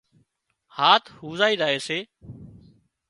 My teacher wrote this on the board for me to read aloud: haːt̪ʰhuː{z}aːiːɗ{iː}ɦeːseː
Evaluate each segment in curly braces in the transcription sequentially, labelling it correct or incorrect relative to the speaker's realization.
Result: correct, incorrect

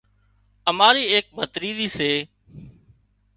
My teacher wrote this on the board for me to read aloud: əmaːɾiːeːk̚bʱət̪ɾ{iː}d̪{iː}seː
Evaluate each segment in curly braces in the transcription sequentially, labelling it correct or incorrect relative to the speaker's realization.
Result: correct, correct

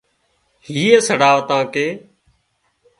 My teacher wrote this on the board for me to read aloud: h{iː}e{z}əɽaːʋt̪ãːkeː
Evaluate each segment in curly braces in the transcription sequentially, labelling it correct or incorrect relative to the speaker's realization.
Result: correct, incorrect

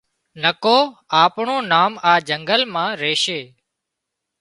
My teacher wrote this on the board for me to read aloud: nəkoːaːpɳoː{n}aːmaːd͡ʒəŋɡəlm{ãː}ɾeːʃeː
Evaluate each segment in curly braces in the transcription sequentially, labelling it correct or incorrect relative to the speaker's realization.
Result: correct, correct

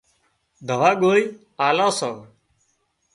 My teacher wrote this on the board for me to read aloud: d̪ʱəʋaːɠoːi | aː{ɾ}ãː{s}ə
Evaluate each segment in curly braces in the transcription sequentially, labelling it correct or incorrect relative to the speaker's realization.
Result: incorrect, correct

